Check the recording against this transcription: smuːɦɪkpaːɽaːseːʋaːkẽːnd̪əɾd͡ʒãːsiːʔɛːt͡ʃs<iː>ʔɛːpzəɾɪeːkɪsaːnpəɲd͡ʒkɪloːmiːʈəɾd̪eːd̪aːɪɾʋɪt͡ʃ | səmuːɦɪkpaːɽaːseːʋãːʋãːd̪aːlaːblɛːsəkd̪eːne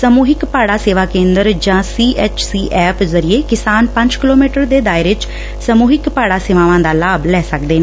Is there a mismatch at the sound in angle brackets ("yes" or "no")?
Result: no